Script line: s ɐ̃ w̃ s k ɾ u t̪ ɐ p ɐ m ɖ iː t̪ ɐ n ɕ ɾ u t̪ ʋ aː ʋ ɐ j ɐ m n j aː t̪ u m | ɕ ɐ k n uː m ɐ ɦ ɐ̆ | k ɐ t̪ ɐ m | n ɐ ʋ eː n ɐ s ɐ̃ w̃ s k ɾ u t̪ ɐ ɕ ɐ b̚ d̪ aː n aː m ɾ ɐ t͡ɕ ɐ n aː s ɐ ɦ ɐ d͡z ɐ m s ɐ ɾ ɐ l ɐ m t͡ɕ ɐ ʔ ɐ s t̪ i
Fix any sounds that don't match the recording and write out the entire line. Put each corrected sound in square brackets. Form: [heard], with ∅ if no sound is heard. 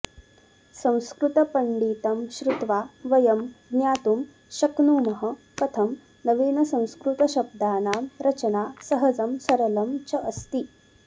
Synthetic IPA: s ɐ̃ w̃ s k ɾ u t̪ ɐ p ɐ [ɳ] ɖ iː t̪ ɐ [m] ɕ ɾ u t̪ ʋ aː ʋ ɐ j ɐ m n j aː t̪ u m | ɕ ɐ k n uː m ɐ ɦ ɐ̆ | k ɐ [t̪ʰ] ɐ m | n ɐ ʋ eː n ɐ s ɐ̃ w̃ s k ɾ u t̪ ɐ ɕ ɐ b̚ d̪ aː n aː m ɾ ɐ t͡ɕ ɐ n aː s ɐ ɦ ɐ d͡z ɐ m s ɐ ɾ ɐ l ɐ m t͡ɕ ɐ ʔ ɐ s t̪ i